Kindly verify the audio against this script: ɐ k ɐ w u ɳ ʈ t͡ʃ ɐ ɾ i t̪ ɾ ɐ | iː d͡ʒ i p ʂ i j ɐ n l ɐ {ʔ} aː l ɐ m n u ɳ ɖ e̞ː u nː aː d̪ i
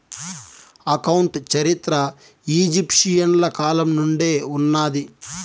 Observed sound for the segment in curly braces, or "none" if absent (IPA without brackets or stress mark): k